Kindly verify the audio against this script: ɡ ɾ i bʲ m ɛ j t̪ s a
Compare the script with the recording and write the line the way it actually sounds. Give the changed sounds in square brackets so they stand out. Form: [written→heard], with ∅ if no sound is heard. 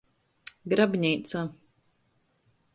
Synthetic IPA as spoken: ɡ ɾ [i→a] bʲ [m→ɲ] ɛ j t̪ s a